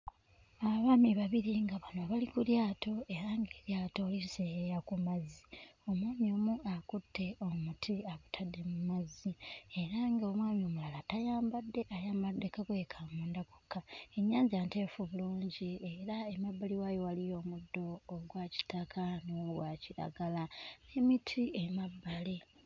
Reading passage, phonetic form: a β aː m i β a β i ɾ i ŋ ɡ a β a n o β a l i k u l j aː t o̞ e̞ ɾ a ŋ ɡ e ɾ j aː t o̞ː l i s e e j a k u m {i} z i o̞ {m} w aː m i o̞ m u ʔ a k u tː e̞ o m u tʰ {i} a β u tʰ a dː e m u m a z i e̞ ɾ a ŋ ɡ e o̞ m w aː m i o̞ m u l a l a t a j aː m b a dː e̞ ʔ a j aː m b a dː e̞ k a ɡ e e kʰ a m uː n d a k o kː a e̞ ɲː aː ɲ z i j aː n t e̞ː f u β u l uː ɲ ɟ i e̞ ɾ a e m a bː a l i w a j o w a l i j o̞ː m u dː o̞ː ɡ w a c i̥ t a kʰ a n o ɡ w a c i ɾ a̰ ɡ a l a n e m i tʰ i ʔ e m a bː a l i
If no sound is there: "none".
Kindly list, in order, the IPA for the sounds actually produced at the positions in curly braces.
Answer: a, m, i

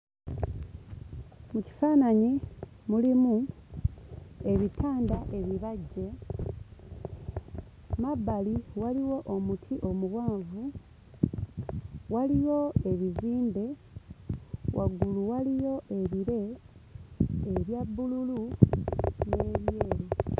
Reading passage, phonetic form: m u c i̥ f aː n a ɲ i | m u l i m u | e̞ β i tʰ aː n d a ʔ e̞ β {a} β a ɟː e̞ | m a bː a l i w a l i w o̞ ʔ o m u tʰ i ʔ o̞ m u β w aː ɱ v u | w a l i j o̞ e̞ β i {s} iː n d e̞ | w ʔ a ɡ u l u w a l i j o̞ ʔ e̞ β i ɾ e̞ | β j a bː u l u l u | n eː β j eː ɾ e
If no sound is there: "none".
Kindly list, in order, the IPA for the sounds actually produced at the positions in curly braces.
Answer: i, z

